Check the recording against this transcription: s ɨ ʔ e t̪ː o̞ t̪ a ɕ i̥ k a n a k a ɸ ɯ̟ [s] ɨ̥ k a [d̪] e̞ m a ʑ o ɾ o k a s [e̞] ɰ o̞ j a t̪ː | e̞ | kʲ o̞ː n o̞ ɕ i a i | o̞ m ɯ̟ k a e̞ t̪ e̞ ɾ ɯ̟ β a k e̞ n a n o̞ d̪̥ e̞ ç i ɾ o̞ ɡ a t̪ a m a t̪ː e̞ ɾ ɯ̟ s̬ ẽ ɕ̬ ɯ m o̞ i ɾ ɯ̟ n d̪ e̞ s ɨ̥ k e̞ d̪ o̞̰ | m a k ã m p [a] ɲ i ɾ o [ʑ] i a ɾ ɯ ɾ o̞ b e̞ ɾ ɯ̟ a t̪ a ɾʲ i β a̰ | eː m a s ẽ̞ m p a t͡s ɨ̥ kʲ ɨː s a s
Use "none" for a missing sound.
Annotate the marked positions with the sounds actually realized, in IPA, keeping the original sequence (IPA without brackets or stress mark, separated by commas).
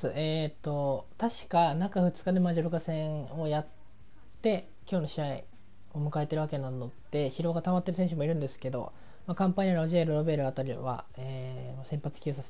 t͡s, d̪, ẽ̞, a, ʑ